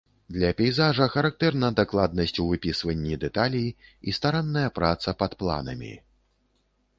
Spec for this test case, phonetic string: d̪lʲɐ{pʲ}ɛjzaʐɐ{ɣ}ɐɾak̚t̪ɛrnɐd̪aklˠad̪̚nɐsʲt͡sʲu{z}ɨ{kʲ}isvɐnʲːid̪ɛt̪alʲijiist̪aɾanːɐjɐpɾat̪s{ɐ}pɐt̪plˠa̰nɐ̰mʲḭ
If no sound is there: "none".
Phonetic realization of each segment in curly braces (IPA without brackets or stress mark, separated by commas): pʲ, x, v, pʲ, ɐ